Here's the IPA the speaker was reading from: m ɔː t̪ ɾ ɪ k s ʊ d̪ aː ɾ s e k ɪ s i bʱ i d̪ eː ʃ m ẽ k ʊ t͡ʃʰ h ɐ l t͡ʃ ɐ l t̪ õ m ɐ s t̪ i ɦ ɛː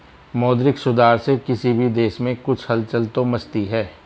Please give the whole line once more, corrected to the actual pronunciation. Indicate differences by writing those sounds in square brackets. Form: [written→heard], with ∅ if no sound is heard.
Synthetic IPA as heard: m ɔː [t̪→d̪] ɾ ɪ k s ʊ d̪ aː ɾ s e k ɪ s i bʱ i d̪ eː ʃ m ẽ k ʊ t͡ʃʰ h ɐ l t͡ʃ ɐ l t̪ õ m ɐ s t̪ i ɦ ɛː